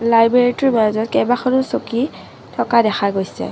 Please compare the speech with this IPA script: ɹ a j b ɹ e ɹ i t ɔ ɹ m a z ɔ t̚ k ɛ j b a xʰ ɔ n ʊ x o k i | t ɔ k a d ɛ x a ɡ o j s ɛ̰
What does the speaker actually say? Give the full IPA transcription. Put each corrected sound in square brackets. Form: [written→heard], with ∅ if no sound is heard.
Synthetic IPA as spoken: [ɹ→l] a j b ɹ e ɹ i t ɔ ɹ m a z ɔ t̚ k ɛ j b a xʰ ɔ n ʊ [x→s] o k i | [t→tʰ] ɔ k a d ɛ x a ɡ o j s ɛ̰

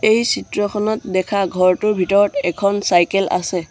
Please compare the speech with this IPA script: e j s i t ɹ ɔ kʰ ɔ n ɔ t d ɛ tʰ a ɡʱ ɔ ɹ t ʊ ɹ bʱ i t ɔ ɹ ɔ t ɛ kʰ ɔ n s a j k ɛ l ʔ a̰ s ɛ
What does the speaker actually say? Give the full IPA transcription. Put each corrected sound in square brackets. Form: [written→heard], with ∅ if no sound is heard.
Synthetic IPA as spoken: e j s i t ɹ ɔ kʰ ɔ n ɔ t d ɛ [tʰ→kʰ] a ɡʱ ɔ ɹ t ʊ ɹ bʱ i t ɔ ɹ ɔ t ɛ kʰ ɔ n s a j k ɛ l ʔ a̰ s ɛ

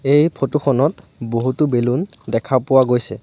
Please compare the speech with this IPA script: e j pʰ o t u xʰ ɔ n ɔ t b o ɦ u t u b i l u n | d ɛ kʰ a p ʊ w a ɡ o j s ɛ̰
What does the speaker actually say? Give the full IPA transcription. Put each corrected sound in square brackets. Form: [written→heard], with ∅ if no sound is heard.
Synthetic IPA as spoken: e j pʰ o t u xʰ ɔ n ɔ t b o ɦ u t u b [i→e] l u n | d ɛ kʰ a p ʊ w a ɡ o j s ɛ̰

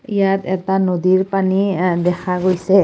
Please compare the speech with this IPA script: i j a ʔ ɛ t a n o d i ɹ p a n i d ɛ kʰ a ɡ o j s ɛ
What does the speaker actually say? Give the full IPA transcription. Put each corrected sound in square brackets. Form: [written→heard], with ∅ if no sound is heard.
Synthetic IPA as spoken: i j a [ʔ→t] ɛ t a n o d i ɹ p a n i d ɛ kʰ a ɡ o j s ɛ

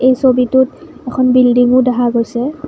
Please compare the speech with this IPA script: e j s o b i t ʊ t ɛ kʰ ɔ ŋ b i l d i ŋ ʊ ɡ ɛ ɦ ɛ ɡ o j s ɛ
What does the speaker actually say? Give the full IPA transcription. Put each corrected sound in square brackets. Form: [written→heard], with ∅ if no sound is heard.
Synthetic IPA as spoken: e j s o b i t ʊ t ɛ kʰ ɔ [ŋ→n] b i l d i ŋ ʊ [ɡ→d] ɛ ɦ [ɛ→a] ɡ o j s ɛ

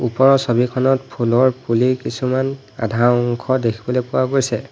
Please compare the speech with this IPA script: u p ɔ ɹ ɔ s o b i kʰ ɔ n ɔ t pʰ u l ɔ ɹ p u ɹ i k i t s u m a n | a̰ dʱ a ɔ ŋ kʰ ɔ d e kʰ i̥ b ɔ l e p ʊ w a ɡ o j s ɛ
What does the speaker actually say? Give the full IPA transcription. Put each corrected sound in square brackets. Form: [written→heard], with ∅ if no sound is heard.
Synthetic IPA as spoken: u p ɔ ɹ ɔ s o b i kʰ ɔ n ɔ t pʰ u l ɔ ɹ p u [ɹ→l] i k i [t→∅] s u m a n | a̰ dʱ a ɔ ŋ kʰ ɔ d e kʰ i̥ b ɔ l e p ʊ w a ɡ o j s ɛ

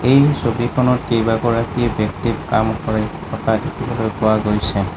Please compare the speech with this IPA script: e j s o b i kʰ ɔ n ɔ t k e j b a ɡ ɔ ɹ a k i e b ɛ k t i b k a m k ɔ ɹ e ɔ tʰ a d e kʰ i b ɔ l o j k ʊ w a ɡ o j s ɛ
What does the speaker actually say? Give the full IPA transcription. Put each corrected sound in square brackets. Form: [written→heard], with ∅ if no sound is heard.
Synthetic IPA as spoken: e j s o b i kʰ ɔ n ɔ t k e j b a ɡ ɔ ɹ a k i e b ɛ k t i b k a m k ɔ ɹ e ɔ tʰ a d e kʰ i b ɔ l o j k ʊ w a ɡ o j s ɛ

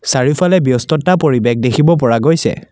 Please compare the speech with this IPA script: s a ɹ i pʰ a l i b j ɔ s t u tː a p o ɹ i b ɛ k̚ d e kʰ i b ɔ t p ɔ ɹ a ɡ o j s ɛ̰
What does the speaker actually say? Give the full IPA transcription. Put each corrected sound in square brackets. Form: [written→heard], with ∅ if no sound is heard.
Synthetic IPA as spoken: s a ɹ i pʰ a l [i→ɛ] b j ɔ s t [u→ɔ] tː a p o ɹ i b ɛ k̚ d e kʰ i b ɔ [t→∅] p ɔ ɹ a ɡ o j s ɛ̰

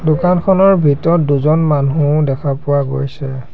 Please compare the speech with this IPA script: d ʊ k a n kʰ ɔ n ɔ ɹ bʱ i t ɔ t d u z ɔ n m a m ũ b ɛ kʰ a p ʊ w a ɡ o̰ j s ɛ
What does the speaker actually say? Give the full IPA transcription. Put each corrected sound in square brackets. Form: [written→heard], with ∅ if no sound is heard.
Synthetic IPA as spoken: d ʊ k a n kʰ ɔ n ɔ ɹ bʱ i t ɔ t d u z ɔ n m a [m→n] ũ [b→d] ɛ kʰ a p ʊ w a ɡ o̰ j s ɛ

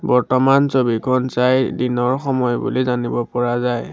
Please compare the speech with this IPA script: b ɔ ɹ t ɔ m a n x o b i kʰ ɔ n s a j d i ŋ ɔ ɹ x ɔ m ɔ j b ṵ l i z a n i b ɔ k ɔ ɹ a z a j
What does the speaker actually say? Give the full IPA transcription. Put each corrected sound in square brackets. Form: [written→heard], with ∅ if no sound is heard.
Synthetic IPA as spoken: b ɔ ɹ t ɔ m a n [x→s] o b i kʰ ɔ n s a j d i [ŋ→n] ɔ ɹ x ɔ m ɔ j b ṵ l i z a n i b ɔ [k→p] ɔ ɹ a z a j

